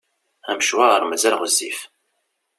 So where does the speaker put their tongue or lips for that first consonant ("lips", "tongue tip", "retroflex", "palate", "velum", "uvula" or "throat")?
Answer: lips